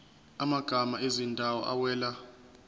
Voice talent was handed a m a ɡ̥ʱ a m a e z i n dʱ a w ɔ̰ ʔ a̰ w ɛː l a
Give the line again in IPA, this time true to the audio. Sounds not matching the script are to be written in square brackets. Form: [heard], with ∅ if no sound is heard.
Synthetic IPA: a m a ɡ̥ʱ a m a e z i n dʱ a w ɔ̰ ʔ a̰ w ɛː l a